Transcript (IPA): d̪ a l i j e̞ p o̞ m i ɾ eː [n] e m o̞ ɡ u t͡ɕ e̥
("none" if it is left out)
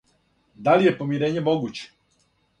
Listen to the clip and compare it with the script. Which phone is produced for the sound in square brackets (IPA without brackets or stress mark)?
ɲ